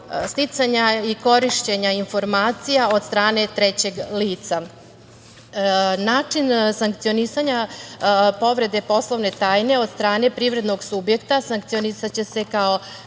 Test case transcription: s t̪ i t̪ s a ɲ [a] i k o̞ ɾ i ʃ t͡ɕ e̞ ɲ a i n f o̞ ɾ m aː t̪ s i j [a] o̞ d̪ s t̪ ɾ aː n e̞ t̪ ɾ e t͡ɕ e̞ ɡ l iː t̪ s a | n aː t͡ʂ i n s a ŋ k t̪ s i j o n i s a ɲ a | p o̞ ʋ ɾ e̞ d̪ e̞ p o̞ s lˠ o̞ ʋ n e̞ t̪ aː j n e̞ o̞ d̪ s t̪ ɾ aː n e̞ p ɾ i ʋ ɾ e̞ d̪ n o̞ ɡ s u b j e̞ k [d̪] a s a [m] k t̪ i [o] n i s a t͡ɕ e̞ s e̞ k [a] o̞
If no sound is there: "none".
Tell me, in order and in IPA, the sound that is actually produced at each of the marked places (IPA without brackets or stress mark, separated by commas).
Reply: a, a, t̪, ŋ, o, a